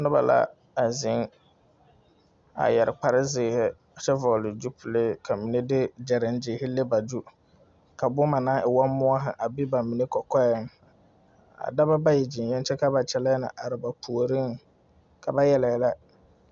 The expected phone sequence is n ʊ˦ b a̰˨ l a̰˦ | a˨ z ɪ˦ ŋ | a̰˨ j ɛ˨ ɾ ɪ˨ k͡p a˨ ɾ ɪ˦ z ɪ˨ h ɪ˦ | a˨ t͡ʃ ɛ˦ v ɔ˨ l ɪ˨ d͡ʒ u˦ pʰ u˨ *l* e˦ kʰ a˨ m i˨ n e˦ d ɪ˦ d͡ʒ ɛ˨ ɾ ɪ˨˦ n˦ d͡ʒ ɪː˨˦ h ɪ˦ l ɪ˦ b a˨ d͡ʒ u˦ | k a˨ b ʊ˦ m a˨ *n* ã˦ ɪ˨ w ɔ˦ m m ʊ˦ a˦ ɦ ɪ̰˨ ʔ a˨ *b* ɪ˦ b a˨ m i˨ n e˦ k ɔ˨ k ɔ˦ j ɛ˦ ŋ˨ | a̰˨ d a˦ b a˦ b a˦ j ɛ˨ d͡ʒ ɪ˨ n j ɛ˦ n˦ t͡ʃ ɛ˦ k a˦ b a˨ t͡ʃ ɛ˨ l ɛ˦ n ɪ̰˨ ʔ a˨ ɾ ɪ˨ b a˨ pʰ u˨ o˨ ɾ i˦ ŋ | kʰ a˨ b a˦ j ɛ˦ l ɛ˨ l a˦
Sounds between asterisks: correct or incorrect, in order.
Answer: correct, correct, correct

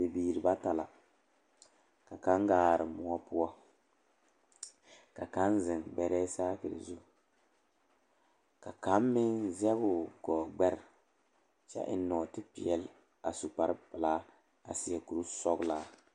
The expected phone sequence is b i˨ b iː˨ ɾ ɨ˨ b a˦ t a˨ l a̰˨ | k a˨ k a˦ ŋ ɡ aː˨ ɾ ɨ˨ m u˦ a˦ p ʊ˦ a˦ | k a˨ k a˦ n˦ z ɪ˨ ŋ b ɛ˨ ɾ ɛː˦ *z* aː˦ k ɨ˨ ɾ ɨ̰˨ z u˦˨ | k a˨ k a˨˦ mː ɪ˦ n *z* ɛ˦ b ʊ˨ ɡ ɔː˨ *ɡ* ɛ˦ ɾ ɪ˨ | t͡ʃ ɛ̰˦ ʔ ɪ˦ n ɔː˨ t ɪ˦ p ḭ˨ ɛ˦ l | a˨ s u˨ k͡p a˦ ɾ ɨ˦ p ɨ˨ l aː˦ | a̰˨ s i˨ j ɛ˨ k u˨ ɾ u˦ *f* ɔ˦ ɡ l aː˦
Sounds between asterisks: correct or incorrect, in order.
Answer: incorrect, correct, incorrect, incorrect

